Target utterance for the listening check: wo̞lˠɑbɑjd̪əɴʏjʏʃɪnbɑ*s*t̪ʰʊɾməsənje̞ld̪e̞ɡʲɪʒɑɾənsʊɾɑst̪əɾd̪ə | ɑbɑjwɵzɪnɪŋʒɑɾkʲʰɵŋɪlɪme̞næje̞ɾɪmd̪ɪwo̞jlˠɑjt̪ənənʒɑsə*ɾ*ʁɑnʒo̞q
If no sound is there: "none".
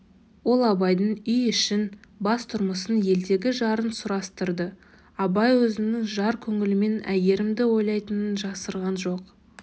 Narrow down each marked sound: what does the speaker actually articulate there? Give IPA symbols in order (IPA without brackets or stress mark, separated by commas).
s, ɾ